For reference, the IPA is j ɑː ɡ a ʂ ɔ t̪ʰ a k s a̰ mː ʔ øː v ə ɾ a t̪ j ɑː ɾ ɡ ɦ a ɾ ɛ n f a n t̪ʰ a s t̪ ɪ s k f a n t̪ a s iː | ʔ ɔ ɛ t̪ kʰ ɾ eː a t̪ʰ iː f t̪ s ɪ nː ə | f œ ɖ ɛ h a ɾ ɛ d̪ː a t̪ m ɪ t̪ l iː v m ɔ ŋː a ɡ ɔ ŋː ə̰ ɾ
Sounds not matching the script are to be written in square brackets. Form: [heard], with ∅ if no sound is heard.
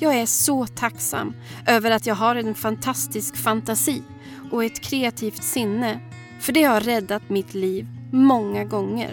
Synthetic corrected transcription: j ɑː ɡ [æ] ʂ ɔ t̪ʰ a k s a̰ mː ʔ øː v ə ɾ a t̪ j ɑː [∅] ɡ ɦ a ɾ ɛ n f a n t̪ʰ a s t̪ ɪ s k f a n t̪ a s iː | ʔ ɔ ɛ t̪ kʰ ɾ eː a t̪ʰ iː f t̪ s ɪ nː ə | f œ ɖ ɛ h a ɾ ɛ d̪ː a t̪ m ɪ t̪ l iː v m ɔ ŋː a ɡ ɔ ŋː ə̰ ɾ